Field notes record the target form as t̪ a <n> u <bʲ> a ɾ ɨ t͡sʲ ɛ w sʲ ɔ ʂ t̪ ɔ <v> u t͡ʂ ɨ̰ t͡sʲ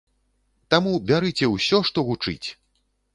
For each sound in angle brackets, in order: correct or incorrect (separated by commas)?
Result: incorrect, correct, incorrect